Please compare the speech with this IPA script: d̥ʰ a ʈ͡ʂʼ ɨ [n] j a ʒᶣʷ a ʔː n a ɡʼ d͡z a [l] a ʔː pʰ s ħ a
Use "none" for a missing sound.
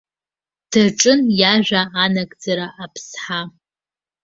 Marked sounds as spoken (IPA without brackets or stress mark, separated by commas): n, ɾ